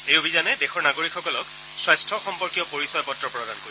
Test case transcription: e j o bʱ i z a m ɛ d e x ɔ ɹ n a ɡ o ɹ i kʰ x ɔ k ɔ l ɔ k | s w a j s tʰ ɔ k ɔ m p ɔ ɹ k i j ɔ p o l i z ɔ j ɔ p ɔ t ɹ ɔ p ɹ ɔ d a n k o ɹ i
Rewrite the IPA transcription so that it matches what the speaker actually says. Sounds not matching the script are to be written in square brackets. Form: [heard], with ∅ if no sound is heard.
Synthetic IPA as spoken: e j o bʱ i z a [n] ɛ d e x ɔ ɹ n a ɡ o ɹ i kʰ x ɔ k ɔ l ɔ k | s w a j s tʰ ɔ [x] ɔ m p ɔ ɹ k i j ɔ p o [ɹ] i [s] ɔ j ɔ p ɔ t ɹ ɔ p ɹ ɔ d a n k o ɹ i